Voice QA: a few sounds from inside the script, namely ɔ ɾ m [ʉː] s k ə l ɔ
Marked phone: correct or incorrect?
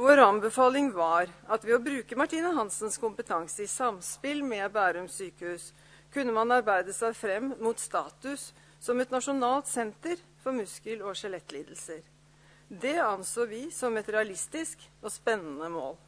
incorrect